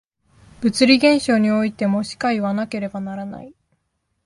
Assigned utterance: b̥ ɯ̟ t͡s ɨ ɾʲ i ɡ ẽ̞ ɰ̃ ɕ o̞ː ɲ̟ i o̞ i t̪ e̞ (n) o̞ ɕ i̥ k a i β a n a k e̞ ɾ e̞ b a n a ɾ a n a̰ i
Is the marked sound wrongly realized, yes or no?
yes